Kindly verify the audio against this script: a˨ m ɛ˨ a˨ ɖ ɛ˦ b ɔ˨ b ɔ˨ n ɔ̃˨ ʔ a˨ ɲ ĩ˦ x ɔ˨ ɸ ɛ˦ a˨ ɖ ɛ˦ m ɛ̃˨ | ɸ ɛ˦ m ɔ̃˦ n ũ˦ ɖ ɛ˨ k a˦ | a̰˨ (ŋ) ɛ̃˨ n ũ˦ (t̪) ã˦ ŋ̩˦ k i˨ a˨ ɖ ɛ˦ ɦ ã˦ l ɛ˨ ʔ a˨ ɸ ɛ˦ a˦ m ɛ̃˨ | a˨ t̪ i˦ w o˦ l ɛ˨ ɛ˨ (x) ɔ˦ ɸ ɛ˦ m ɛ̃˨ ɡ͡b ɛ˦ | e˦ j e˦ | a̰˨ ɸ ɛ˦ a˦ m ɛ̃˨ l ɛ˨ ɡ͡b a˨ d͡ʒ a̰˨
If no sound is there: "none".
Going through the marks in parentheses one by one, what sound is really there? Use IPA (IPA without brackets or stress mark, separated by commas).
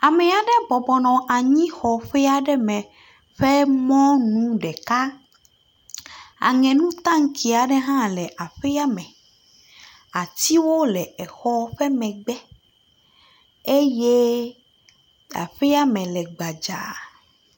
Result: ŋ, t̪, x